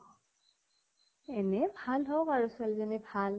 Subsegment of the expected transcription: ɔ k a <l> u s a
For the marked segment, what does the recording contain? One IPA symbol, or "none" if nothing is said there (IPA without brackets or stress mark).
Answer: ɹ